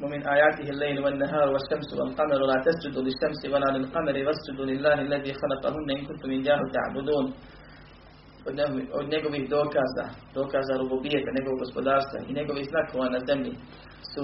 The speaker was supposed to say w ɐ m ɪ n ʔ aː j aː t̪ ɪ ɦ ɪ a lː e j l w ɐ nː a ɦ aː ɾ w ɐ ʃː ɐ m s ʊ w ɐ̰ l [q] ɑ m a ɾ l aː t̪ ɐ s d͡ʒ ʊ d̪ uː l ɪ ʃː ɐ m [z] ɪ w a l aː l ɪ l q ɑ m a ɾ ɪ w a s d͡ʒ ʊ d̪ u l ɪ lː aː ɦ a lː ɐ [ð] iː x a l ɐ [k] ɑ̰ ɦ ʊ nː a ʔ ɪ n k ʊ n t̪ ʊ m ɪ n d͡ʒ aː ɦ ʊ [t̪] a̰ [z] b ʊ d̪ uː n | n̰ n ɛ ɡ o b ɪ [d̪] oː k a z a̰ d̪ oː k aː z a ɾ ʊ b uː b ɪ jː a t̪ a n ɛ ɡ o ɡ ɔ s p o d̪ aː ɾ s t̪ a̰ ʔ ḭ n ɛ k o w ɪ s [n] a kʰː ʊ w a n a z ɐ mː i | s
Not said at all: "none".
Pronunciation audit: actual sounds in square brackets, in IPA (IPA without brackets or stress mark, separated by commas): q, s, ð, q, t̪, ʕ, d̪, n